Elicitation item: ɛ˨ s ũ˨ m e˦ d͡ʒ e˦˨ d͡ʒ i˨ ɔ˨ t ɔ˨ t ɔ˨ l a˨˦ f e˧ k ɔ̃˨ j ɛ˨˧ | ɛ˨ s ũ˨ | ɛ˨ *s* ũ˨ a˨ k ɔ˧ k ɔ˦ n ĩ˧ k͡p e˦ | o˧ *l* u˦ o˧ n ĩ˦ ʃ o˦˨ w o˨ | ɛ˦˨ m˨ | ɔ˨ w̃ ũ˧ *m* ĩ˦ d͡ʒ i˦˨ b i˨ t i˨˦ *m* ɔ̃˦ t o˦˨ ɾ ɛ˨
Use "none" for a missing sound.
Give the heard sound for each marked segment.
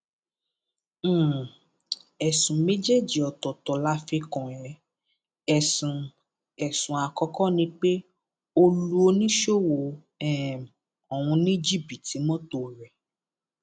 s, l, n, m

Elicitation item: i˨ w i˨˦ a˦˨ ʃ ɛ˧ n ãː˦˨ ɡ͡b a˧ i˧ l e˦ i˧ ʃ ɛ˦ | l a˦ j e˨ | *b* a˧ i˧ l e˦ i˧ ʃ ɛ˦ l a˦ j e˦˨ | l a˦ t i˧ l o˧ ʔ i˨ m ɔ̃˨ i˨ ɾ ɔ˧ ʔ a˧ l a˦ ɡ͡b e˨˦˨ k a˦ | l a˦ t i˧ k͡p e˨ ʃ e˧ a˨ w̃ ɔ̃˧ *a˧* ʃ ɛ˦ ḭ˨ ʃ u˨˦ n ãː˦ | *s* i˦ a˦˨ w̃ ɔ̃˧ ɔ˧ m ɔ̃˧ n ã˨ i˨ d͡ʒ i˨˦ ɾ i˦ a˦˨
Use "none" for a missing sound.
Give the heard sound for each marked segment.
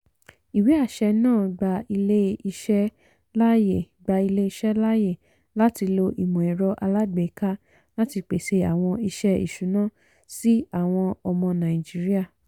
ɡ͡b, i˧, s

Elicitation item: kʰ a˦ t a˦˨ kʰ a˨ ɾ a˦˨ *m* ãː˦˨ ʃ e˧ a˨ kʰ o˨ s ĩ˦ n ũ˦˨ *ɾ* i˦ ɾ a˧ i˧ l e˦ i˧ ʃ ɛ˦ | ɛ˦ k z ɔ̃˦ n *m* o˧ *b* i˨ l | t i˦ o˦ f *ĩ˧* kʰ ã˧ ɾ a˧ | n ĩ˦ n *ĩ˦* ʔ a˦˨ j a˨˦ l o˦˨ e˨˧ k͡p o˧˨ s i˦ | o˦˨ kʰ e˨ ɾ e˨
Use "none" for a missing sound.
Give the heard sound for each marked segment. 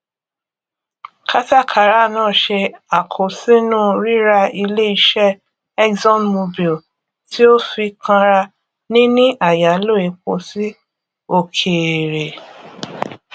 n, ɾ, m, b, i˧, ĩ˦

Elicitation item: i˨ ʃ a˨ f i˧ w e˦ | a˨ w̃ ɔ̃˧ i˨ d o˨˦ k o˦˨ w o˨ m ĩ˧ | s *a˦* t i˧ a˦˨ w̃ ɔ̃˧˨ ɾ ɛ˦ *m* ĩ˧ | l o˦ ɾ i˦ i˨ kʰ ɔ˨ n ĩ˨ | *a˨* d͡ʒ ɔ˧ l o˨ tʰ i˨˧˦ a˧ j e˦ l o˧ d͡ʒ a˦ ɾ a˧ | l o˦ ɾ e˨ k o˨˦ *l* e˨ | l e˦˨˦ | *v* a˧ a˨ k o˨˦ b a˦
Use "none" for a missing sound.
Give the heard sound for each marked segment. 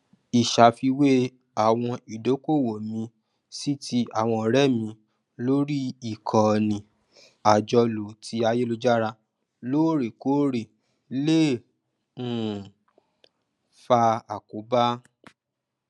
i˦, m, a˨, ɾ, f

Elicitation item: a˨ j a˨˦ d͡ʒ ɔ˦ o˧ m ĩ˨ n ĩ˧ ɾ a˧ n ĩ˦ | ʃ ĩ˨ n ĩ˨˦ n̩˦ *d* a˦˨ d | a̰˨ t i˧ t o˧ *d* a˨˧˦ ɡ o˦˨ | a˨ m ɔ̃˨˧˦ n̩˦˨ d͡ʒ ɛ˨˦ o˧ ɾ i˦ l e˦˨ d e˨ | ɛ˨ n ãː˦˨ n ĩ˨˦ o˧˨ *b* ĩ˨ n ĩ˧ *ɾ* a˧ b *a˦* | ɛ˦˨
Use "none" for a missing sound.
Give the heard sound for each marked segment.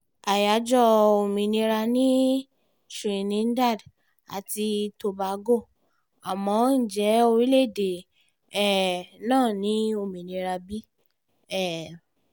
d, b, m, ɾ, i˦

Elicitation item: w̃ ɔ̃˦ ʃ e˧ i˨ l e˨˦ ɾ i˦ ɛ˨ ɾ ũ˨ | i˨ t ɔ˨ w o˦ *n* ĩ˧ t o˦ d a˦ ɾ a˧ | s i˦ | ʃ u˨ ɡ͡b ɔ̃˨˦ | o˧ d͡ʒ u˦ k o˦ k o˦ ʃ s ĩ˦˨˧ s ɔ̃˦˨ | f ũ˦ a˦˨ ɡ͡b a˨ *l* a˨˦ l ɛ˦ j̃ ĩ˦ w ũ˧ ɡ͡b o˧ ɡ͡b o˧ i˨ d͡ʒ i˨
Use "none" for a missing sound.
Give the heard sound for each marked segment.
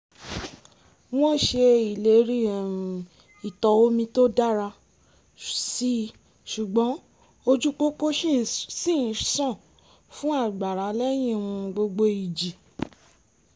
m, ɾ

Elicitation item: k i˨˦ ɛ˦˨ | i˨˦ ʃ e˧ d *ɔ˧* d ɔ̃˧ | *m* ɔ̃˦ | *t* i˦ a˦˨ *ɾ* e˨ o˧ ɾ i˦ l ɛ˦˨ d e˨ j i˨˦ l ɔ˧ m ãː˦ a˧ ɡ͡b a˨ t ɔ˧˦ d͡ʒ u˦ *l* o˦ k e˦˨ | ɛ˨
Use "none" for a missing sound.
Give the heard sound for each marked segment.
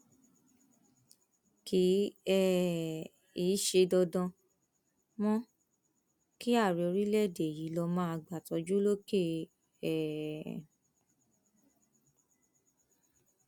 ɔ˧, m, k, ɾ, l

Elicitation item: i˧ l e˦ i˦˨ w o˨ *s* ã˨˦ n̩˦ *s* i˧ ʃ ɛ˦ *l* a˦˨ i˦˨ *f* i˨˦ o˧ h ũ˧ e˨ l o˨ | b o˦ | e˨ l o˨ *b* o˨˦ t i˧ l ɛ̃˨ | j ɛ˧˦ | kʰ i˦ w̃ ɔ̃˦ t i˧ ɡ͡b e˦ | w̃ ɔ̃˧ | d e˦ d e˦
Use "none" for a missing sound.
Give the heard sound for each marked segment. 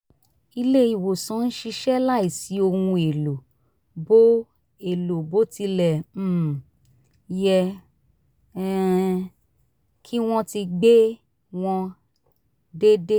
s, ʃ, l, s, b

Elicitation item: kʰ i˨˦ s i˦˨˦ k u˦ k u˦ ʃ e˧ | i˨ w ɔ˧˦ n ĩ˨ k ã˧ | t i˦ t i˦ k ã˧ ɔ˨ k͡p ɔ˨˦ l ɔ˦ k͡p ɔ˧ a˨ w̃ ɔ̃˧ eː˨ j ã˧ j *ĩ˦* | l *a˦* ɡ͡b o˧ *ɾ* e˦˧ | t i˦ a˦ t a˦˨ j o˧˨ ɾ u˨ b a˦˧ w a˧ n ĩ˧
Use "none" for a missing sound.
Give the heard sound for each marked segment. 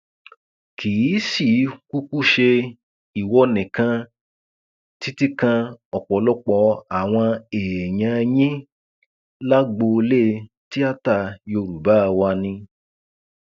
ĩ˦, a˦, l

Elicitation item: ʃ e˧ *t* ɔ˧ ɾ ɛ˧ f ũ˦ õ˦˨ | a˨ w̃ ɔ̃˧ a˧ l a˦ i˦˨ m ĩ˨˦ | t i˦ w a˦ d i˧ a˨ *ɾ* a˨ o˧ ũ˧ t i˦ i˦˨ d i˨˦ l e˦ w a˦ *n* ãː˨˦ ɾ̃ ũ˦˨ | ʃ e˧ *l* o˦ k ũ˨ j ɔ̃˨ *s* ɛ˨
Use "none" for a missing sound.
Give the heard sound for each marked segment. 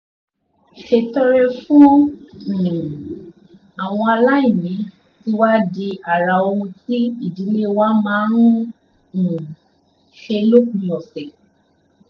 t, ɾ, m, l, s

